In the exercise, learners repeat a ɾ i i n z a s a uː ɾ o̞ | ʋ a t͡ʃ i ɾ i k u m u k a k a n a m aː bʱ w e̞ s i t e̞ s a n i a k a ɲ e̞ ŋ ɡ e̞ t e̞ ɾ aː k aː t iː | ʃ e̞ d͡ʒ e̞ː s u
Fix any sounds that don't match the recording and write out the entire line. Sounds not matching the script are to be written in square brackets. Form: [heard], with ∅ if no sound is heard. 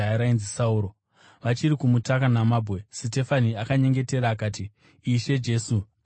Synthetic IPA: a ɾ [a] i n z [i] s a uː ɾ o̞ | ʋ a t͡ʃ i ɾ i k u m u [t] a k a n a m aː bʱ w e̞ s i t e̞ [f] a n i a k a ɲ e̞ ŋ ɡ e̞ t e̞ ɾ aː k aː t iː | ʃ e̞ d͡ʒ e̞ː s u